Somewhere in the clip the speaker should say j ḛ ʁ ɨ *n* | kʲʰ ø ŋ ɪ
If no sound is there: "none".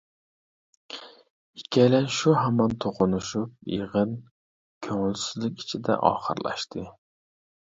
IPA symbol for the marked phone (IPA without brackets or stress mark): n